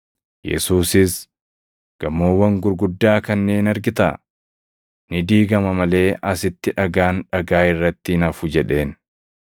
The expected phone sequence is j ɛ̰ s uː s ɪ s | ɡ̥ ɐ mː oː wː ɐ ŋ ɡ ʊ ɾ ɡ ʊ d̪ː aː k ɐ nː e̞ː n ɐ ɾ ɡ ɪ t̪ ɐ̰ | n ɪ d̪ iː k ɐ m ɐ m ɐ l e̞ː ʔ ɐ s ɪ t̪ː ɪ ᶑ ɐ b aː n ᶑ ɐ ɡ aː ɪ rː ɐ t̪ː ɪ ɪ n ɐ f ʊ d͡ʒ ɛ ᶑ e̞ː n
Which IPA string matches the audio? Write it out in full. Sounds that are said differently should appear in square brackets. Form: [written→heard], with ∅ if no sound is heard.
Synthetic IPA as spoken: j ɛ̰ s uː s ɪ s | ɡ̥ ɐ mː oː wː ɐ ŋ ɡ ʊ ɾ ɡ ʊ d̪ː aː k ɐ nː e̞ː n ɐ ɾ ɡ ɪ t̪ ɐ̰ | n ɪ d̪ iː [k→ɡ] ɐ m ɐ m ɐ l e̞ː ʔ ɐ s ɪ t̪ː ɪ ᶑ ɐ [b→ɡ] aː n ᶑ ɐ ɡ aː ɪ rː ɐ t̪ː ɪ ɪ n ɐ f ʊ d͡ʒ ɛ ᶑ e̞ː n